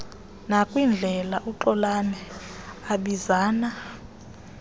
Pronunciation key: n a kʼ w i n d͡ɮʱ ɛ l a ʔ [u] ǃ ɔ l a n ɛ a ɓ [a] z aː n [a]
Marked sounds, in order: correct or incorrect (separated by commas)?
correct, incorrect, correct